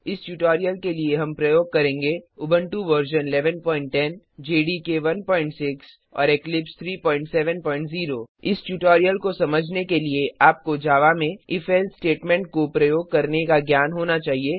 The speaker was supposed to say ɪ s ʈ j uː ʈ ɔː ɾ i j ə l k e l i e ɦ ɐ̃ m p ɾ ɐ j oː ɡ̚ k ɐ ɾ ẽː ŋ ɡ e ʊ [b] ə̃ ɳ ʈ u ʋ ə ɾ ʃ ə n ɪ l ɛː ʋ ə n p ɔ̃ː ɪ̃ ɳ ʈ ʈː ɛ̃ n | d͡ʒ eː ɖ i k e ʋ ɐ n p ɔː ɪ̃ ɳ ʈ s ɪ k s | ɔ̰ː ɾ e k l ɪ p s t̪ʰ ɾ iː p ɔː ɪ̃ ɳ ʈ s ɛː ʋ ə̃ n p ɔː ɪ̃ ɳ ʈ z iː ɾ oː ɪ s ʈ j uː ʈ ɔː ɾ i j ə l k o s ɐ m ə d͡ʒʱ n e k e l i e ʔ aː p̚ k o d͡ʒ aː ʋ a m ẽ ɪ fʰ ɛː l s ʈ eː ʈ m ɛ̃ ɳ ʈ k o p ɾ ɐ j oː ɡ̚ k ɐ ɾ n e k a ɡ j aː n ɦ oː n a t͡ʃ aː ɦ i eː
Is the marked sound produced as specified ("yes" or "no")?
yes